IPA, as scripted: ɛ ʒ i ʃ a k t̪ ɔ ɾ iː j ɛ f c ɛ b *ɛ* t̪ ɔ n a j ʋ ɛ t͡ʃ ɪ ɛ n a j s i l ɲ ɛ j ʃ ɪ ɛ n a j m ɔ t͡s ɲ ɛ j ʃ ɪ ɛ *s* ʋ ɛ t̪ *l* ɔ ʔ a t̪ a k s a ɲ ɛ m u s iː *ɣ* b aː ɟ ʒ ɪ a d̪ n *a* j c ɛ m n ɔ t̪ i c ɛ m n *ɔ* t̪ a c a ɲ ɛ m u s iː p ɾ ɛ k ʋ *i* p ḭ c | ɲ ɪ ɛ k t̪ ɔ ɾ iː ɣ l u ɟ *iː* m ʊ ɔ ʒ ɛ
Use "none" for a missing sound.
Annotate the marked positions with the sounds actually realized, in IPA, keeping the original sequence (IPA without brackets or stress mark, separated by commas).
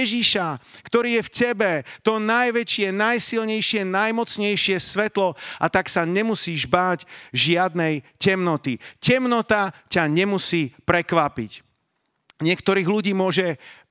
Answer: ɛ, s, l, ʒ, ɛ, ɔ, a, iː